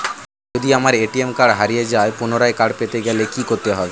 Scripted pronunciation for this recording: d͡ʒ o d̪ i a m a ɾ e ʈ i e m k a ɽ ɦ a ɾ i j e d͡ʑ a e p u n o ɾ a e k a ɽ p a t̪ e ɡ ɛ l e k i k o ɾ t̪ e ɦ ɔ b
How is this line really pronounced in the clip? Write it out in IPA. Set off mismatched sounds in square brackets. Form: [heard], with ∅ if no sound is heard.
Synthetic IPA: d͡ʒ o d̪ i a m a ɾ e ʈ i e m k a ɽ ɦ a ɾ i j e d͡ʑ a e p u n o ɾ a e k a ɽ p [e] t̪ e ɡ ɛ l e k i k o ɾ t̪ e ɦ ɔ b